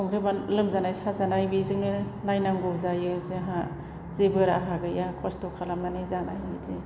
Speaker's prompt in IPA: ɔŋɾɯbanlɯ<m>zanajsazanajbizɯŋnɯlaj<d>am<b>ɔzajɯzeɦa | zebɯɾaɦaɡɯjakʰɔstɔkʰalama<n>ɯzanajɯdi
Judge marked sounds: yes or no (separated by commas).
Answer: yes, no, no, yes